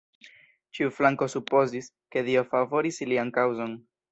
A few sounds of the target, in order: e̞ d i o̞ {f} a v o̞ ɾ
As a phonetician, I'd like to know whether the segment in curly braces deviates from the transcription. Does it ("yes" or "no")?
no